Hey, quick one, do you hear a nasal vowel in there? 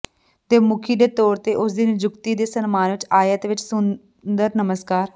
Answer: no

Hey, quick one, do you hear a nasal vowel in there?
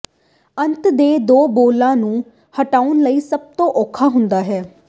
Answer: yes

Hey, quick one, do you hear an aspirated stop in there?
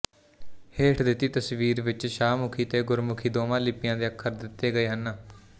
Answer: yes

